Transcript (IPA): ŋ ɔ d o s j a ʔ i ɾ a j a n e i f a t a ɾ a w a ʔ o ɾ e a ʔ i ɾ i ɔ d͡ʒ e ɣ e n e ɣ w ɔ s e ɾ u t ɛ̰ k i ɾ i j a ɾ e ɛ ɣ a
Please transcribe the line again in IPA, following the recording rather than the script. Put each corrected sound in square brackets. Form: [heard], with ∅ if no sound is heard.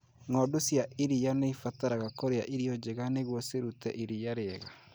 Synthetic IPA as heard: ŋ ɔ d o s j a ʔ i ɾ [i] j a n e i f a t a ɾ a [ɣ] a [k] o ɾ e a ʔ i ɾ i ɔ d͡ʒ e ɣ [a] n e ɣ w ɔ s e ɾ u t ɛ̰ [ʔ] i ɾ i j a ɾ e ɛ ɣ a